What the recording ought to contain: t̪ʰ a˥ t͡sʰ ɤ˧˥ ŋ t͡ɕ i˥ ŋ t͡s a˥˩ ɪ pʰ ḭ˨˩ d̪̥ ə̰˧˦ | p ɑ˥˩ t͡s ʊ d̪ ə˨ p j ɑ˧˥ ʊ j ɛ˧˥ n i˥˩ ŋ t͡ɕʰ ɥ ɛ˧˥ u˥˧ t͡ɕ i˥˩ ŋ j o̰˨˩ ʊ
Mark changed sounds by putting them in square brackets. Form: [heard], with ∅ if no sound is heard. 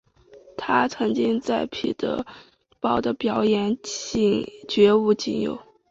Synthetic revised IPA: t̪ʰ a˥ t͡sʰ ɤ˧˥ ŋ t͡ɕ i˥ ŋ t͡s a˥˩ ɪ pʰ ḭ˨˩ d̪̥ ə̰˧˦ | p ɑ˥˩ [∅] ʊ d̪ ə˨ p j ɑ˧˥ ʊ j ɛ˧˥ n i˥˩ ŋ [t͡ɕ] ɥ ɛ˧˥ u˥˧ t͡ɕ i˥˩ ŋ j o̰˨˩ ʊ